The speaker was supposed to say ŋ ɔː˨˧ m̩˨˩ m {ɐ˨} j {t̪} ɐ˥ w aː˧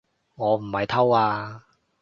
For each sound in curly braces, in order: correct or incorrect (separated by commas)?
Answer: correct, incorrect